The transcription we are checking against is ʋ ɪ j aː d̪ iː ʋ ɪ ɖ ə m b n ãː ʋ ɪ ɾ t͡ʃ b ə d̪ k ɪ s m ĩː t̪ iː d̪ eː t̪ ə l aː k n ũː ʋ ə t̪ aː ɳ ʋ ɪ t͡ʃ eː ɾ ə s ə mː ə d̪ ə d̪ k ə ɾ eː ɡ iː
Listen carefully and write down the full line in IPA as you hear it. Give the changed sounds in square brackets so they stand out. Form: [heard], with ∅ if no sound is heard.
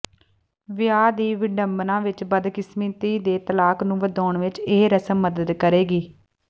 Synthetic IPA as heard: ʋ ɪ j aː d̪ iː ʋ ɪ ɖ ə m b n ãː ʋ ɪ [∅] t͡ʃ b ə d̪ k ɪ s m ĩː t̪ iː d̪ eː t̪ ə l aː k n ũː ʋ ə [d̪] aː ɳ ʋ ɪ t͡ʃ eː ɾ ə s ə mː ə d̪ ə d̪ k ə ɾ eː ɡ iː